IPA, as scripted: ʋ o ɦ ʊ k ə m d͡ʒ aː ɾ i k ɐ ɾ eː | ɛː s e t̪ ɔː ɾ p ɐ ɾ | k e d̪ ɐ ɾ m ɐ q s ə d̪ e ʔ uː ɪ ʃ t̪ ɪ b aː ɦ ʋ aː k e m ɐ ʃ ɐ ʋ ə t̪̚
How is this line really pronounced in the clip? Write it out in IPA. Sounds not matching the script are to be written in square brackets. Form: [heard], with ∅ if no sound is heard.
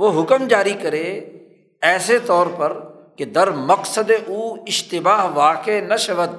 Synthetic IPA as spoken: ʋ o ɦ ʊ k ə m d͡ʒ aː ɾ i k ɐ ɾ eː | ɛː s e t̪ ɔː ɾ p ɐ ɾ | k e d̪ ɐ ɾ m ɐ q s ə d̪ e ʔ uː ɪ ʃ t̪ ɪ b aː ɦ ʋ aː k e [n] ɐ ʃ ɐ ʋ ə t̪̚